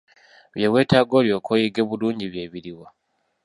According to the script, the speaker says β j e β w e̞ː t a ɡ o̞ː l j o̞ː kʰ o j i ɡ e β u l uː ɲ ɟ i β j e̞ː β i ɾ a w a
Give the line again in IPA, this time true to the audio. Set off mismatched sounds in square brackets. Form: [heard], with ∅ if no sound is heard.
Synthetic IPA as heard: β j e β w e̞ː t a ɡ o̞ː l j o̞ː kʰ o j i ɡ e β u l uː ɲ ɟ i β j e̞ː β i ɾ [i] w a